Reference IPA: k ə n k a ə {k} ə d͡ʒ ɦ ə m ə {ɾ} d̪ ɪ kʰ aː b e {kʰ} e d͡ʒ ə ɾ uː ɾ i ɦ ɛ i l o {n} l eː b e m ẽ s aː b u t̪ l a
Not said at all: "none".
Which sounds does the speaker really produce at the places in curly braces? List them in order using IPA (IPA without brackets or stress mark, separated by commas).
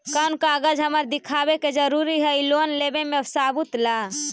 ɡ, ɾ, k, n